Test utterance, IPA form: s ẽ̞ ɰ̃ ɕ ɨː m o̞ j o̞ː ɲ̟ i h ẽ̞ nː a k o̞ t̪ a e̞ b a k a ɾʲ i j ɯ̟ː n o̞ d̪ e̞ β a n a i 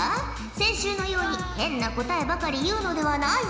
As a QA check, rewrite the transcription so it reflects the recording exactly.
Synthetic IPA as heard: s ẽ̞ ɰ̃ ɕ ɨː n o̞ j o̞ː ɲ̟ i h ẽ̞ nː a k o̞ t̪ a e̞ b a k a ɾʲ i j ɯ̟ː n o̞ d̪ e̞ β a n a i

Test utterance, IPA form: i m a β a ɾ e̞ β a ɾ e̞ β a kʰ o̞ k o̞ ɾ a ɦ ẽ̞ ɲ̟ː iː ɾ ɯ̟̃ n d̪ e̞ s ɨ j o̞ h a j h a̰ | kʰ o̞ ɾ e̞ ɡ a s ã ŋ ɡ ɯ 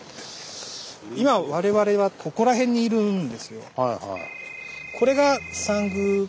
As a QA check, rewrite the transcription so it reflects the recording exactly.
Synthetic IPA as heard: i m a β a ɾ e̞ β a ɾ e̞ β a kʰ o̞ k o̞ ɾ a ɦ ẽ̞ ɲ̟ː iː ɾ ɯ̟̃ n d̪ e̞ s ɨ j o̞ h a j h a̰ | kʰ o̞ ɾ e̞ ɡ a s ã ŋ ɡ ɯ

